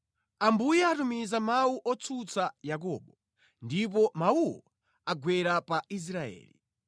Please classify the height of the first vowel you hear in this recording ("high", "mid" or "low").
low